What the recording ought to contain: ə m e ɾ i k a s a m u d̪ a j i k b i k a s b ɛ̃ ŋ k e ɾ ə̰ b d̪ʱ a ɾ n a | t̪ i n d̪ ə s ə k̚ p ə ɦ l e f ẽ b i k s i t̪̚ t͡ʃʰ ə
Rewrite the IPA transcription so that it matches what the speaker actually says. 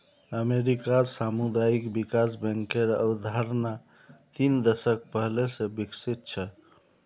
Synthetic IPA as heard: ə m e ɾ i k a s a m u d̪ a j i k b i k a s b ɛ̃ ŋ k e ɾ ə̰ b d̪ʱ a ɾ n a | t̪ i n d̪ ə s ə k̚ p ə ɦ l e s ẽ b i k s i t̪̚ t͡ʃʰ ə